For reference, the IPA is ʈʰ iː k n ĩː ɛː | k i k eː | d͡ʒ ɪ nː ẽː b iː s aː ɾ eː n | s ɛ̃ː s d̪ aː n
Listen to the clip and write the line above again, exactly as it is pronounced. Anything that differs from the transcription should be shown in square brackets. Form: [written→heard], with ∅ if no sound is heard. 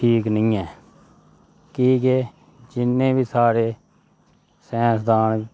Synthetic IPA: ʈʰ iː k n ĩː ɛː | k [i→iː] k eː | d͡ʒ ɪ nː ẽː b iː s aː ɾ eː [n→∅] | s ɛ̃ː s d̪ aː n